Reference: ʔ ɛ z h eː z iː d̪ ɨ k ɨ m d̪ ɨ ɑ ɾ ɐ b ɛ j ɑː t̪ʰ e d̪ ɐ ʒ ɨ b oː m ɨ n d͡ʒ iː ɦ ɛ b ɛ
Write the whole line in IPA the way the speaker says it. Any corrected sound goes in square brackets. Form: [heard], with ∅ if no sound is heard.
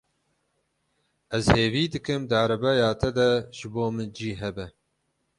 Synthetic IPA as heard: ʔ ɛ z h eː [v] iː d̪ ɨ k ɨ m d̪ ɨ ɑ ɾ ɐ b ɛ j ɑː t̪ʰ [ɛ] d̪ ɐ ʒ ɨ b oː m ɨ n d͡ʒ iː ɦ ɛ b ɛ